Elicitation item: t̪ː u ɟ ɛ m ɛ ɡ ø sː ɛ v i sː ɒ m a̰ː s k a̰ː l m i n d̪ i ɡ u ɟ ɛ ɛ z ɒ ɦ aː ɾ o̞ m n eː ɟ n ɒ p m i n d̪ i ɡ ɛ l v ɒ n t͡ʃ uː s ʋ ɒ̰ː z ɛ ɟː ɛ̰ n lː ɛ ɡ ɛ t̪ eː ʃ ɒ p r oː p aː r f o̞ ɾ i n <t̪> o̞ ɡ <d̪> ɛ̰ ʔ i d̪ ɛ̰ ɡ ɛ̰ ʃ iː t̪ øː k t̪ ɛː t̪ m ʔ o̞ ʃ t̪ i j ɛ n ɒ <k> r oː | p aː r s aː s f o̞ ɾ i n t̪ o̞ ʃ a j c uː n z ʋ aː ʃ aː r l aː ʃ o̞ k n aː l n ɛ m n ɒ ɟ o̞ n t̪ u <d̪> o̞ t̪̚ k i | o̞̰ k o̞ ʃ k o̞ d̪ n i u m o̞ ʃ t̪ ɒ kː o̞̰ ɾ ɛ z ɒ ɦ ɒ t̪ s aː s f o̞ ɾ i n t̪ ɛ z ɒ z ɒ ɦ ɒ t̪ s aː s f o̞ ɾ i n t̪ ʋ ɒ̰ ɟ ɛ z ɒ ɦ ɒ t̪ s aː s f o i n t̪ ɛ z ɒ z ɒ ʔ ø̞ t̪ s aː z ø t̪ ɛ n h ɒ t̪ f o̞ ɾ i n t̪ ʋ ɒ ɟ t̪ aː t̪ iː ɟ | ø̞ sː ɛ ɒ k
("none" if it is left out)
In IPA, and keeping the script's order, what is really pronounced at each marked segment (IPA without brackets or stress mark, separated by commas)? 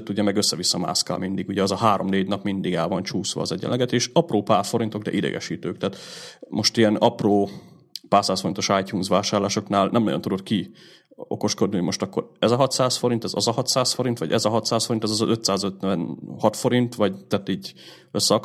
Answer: t̪, d̪, p, d̪